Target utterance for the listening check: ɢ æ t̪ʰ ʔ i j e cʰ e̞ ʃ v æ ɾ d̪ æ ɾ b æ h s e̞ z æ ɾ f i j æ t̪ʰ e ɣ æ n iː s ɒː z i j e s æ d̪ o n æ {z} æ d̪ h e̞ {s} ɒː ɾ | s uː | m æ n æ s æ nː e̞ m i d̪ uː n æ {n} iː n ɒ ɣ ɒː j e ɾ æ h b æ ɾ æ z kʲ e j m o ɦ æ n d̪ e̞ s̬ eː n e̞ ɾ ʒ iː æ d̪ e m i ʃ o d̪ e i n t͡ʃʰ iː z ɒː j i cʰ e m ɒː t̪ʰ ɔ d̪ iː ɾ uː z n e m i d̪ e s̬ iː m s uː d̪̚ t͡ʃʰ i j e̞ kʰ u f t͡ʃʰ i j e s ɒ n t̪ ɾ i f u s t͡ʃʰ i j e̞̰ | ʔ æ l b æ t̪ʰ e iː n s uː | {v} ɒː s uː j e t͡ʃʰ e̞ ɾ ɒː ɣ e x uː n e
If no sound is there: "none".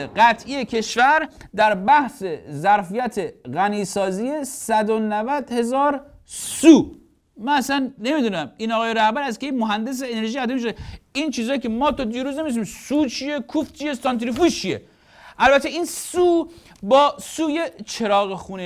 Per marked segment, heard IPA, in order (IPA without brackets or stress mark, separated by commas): v, z, m, b